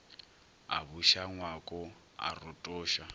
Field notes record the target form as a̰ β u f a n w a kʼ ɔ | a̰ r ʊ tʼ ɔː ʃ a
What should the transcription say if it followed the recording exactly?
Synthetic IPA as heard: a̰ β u ʃ a ŋ w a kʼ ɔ | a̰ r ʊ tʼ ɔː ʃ a

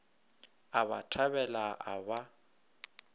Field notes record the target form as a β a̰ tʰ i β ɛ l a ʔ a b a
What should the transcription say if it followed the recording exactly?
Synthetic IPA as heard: a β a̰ tʰ a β ɛ l a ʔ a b a

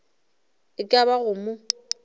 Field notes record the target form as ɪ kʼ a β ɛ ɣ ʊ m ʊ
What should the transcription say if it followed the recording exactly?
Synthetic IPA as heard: ɪ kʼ a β a ɣ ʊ m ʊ

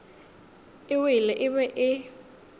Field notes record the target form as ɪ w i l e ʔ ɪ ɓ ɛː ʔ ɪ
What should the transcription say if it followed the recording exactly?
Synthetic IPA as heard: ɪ w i l ɛ ʔ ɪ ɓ ɛ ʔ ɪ

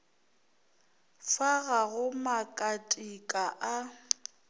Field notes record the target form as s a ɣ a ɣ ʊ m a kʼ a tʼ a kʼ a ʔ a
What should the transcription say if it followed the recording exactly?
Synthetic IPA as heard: f a ɣ a ɣ ʊ m a kʼ a tʼ i kʼ a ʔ a

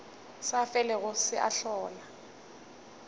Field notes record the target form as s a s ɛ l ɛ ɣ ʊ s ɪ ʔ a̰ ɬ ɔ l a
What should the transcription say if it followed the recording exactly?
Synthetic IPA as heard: s a f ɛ l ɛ ɣ ʊ s ɪ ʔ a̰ ɬ ɔː l a

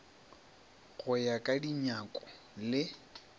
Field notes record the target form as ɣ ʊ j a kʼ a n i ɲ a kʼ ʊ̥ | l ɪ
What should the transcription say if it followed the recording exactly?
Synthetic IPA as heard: ɣ ʊ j a kʼ a d i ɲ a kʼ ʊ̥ | l ɪ

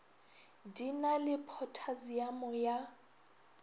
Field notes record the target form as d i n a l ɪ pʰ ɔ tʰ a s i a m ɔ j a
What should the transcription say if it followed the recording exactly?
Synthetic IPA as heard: d i n a l ɪ pʰ ɔ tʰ a z i a m ɔ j a

